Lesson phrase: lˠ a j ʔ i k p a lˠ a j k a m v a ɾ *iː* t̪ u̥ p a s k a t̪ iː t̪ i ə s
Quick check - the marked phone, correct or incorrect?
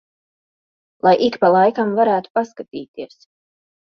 incorrect